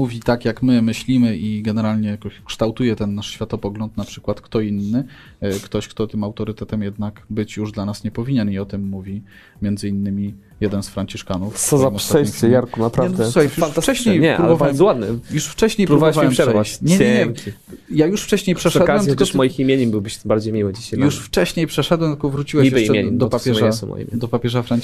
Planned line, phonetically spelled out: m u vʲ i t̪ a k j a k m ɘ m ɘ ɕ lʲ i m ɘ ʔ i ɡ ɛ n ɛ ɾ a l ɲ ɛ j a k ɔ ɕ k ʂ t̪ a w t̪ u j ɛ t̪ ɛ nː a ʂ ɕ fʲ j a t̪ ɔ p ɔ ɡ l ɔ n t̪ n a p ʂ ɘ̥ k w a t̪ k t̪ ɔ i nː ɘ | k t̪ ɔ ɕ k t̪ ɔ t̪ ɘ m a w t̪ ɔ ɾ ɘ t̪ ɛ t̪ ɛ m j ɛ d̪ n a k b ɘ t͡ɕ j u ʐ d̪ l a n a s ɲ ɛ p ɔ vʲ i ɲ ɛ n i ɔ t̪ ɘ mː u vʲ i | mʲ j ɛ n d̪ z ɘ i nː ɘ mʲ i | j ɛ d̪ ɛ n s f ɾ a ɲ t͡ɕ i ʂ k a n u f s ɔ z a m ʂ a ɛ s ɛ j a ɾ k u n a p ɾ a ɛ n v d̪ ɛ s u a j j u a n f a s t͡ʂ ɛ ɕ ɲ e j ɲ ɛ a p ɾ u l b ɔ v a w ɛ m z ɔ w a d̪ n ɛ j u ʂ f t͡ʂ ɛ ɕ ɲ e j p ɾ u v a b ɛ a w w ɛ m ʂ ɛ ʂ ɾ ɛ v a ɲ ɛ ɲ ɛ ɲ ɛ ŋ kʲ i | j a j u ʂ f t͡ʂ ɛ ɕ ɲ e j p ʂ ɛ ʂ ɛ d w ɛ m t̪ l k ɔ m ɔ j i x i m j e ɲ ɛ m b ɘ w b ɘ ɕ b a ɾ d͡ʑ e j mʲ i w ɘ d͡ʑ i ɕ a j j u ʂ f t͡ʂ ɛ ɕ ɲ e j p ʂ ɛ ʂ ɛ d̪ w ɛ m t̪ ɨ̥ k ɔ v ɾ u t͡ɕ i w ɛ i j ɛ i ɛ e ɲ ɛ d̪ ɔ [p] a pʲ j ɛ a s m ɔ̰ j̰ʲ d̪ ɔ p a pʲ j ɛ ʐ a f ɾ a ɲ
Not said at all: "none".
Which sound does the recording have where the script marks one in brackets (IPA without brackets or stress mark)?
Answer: p